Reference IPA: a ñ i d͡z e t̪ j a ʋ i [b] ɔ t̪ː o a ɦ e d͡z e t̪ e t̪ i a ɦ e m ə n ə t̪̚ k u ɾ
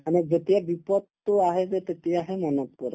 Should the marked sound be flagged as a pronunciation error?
yes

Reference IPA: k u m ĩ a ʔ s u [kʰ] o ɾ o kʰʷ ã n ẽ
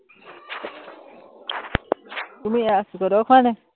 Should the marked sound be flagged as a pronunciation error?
yes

